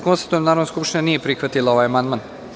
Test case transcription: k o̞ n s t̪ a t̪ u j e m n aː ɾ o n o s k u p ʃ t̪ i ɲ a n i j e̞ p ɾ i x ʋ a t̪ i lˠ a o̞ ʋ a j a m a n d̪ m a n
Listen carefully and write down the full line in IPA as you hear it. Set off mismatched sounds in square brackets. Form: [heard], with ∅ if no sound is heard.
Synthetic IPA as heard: k o̞ n s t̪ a t̪ u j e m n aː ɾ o n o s k u p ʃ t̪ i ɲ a n i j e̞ p ɾ i x ʋ a t̪ i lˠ a o̞ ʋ a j a m a n d̪ m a n